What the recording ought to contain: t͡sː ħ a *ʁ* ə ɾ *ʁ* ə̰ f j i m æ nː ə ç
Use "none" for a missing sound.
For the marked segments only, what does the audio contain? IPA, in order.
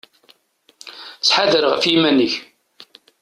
ð, ʁ

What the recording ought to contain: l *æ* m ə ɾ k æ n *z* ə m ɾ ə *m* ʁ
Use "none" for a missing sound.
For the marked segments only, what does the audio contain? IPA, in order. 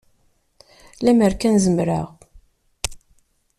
æ, z, none

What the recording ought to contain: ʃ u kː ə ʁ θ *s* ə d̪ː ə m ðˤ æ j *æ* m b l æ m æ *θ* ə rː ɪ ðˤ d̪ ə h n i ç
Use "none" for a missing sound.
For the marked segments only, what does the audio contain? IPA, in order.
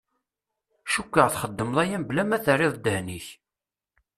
χ, æ, θ

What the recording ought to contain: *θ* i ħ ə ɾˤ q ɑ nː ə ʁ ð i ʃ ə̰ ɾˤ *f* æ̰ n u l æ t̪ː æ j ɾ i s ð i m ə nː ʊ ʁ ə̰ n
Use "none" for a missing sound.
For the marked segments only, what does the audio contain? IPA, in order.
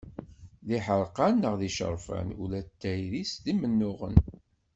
ð, f

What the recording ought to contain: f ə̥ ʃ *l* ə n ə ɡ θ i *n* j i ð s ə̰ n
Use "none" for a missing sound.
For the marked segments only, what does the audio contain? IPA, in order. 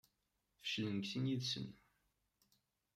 l, n

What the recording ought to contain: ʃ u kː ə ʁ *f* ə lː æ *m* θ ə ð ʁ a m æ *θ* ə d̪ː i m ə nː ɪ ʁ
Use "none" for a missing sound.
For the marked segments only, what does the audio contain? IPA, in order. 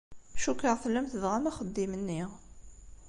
θ, m, χ

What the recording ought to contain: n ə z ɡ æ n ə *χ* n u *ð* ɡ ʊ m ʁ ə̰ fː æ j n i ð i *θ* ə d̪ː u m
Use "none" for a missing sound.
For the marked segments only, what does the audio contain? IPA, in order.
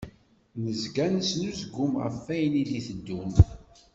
s, z, θ

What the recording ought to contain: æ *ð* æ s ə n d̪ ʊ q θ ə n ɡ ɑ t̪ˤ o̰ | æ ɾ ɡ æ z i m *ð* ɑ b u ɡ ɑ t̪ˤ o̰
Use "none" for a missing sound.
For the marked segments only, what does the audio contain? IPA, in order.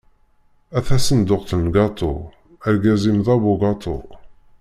θ, ð

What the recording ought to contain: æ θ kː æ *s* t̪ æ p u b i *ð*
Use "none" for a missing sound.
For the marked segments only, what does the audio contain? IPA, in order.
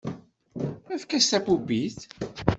s, θ

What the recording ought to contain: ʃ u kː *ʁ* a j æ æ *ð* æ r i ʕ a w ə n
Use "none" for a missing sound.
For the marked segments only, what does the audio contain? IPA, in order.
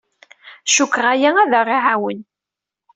ʁ, ð

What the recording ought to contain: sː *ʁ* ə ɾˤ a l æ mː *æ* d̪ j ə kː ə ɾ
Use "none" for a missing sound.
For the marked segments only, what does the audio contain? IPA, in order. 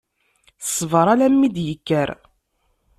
v, i

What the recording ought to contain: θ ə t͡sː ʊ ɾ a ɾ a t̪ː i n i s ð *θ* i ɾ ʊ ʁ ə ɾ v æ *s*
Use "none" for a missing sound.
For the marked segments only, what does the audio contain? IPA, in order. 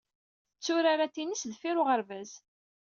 f, z

